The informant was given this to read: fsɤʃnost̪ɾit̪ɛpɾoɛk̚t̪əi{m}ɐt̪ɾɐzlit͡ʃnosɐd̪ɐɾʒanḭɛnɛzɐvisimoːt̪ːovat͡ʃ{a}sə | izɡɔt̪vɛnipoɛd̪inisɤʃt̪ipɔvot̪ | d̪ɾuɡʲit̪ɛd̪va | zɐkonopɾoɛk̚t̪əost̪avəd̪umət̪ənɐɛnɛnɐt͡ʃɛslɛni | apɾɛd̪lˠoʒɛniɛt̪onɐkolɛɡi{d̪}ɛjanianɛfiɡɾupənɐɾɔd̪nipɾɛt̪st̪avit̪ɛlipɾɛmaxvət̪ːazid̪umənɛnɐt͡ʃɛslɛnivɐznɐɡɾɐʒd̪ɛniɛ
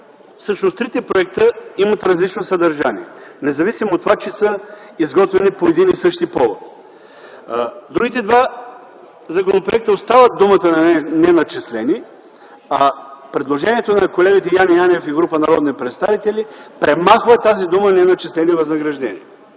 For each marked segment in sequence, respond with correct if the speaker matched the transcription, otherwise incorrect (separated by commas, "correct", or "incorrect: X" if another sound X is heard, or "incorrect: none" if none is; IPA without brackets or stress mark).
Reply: correct, incorrect: ɛ, incorrect: t̪